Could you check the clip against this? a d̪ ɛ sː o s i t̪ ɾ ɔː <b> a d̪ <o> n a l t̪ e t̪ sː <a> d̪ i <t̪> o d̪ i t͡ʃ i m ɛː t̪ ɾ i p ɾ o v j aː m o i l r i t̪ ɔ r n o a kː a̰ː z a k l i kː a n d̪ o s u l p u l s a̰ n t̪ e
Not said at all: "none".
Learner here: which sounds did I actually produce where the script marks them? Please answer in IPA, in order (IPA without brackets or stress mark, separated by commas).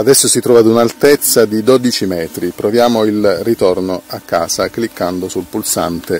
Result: v, u, a, d̪